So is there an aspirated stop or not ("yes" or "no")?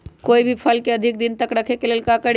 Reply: yes